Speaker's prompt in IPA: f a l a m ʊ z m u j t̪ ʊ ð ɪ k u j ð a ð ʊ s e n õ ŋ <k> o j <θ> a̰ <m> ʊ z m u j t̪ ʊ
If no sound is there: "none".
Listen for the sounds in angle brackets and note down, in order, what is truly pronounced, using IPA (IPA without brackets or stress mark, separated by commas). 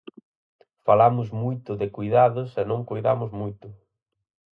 k, ð, m